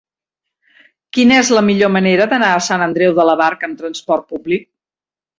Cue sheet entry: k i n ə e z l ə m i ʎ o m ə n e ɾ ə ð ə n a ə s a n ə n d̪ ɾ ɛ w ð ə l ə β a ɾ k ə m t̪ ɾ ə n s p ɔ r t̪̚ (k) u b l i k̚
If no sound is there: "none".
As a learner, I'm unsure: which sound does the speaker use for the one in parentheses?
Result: p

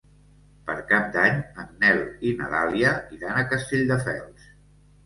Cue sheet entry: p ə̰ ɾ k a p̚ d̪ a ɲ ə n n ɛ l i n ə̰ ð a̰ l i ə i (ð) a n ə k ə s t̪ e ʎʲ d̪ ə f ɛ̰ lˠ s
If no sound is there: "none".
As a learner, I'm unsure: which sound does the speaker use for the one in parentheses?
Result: ð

